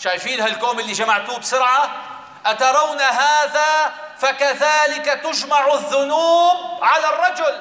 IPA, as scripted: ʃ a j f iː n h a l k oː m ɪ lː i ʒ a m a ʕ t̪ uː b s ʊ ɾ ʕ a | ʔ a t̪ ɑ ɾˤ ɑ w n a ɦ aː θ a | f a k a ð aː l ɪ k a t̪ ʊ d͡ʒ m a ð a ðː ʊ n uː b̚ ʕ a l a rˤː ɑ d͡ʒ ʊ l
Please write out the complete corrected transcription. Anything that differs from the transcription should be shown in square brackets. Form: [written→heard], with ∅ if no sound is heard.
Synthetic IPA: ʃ a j f iː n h a l k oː m ɪ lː i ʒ a m a ʕ t̪ uː b s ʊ ɾ ʕ a | ʔ a t̪ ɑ ɾˤ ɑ w n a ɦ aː [θ→ð] a | f a k a ð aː l ɪ k a t̪ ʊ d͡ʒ m a [ð→ʕ] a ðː ʊ n uː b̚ ʕ a l a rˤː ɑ d͡ʒ ʊ l